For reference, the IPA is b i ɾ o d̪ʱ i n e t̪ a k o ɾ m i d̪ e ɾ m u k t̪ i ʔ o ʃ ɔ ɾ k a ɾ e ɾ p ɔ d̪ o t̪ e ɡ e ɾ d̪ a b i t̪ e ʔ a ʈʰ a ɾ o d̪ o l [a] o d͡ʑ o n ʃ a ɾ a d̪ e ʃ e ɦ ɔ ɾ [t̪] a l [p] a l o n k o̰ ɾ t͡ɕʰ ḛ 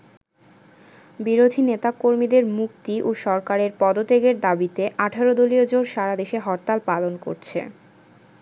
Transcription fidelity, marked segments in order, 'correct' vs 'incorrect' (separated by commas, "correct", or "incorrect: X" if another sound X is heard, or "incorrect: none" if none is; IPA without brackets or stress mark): incorrect: i, correct, correct